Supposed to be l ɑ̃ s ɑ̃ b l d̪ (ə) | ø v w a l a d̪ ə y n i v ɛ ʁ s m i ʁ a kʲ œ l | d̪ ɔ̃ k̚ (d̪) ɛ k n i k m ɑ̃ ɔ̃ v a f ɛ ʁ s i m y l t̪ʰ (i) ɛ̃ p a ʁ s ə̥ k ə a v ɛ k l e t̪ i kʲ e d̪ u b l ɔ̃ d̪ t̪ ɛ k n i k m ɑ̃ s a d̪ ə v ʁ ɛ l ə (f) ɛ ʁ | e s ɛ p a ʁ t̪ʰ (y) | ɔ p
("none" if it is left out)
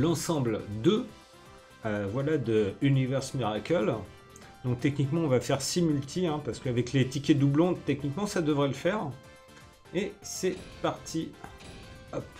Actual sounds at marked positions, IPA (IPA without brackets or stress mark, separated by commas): ə, t̪, i, f, i